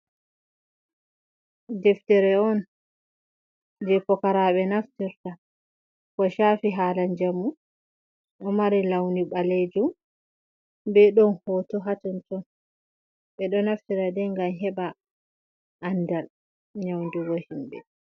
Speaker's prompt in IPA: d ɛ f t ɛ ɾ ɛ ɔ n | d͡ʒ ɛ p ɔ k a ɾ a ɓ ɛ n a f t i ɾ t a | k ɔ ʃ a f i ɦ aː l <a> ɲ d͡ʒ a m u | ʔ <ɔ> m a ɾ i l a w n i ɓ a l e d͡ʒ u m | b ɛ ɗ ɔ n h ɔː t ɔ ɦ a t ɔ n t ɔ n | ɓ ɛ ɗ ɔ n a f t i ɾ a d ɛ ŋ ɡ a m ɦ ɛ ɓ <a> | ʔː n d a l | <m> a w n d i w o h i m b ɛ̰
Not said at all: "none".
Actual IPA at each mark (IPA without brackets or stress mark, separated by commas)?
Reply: a, ɔ, a, ɲ